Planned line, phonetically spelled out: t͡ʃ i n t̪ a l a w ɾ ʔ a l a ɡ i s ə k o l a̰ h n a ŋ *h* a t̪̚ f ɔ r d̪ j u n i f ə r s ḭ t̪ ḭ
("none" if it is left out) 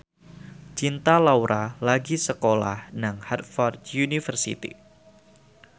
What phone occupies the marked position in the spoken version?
h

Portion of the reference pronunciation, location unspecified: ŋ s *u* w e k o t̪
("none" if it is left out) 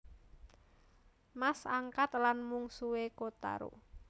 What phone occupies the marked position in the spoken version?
u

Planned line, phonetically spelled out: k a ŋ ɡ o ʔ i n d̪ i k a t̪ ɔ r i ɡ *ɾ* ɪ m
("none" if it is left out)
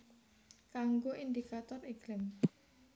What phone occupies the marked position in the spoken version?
l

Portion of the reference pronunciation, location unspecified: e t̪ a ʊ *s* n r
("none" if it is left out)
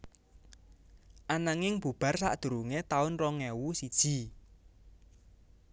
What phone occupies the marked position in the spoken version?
none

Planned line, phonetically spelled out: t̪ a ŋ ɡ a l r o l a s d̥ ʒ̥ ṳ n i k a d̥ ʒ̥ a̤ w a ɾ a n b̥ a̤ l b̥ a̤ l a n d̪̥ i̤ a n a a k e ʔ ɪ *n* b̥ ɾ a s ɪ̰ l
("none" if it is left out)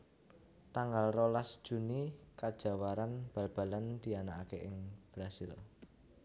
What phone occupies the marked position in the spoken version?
ŋ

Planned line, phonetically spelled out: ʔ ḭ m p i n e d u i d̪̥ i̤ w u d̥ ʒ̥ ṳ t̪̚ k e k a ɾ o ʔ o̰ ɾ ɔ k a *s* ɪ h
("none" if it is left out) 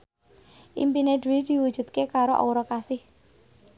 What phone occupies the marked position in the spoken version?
s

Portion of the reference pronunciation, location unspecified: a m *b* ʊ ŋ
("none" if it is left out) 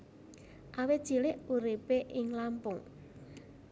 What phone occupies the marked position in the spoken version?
p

